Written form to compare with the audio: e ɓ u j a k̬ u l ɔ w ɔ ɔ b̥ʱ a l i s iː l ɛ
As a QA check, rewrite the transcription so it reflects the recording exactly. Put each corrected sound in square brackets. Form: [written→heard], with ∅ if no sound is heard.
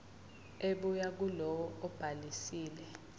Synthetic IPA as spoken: e ɓ u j a k̬ u l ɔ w ɔ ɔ b̥ʱ a l i s iː l ɛ